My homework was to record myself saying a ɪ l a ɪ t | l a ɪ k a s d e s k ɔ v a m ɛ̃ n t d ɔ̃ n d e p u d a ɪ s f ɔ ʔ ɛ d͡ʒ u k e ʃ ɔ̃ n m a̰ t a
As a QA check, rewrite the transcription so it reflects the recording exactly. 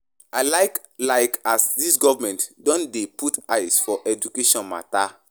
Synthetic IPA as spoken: a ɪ l a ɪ k | l a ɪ k a s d i s ɡ ɔ v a m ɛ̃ n t d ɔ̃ n d e p u t a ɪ s f ɔ ʔ ɛ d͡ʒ u k e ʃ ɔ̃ n m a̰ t a